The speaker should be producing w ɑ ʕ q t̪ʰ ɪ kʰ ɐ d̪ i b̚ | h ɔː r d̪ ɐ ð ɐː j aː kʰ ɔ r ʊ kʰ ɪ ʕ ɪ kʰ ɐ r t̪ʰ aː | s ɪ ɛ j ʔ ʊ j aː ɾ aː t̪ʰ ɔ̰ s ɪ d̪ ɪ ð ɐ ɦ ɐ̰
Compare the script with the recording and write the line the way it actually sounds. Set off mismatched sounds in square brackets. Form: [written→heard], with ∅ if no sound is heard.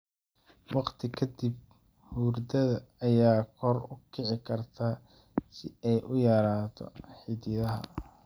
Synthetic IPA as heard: w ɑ [ʕ→∅] q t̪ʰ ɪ kʰ ɐ d̪ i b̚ | h [ɔː→uː] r d̪ ɐ ð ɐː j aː kʰ ɔ r ʊ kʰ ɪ ʕ ɪ kʰ ɐ r t̪ʰ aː | s ɪ ɛ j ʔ ʊ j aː ɾ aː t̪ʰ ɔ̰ [s→ħ] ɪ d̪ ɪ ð ɐ ɦ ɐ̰